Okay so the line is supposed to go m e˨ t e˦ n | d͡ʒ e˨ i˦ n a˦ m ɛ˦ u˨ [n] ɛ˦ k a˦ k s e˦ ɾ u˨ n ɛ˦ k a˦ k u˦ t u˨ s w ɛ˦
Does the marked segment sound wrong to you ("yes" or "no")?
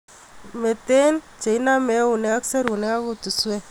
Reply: no